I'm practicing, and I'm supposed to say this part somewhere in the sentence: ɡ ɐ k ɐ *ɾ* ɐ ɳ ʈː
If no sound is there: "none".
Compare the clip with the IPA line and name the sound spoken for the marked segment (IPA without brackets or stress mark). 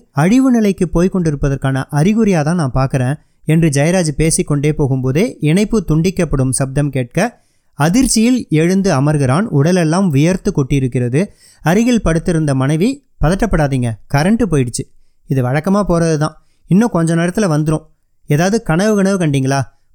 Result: ɾ